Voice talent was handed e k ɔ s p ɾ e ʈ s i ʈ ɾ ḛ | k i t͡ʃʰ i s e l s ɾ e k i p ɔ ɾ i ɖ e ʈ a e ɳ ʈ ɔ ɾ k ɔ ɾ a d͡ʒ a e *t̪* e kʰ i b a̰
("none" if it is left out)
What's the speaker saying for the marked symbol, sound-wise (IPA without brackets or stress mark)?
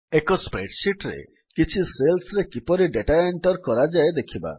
d̪